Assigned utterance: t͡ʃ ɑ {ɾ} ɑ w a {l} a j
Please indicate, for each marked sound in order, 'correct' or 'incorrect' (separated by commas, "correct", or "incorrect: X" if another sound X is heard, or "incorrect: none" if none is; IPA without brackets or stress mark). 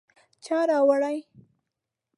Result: correct, incorrect: ɽ